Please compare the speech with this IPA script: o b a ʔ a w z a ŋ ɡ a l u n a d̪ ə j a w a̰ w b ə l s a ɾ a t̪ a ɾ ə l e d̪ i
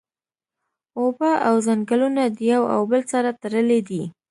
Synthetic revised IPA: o b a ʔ a w z a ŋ ɡ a l u n a d̪ ə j a w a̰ w b ə l s a ɾ a t̪ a ɾ ə l e d̪ i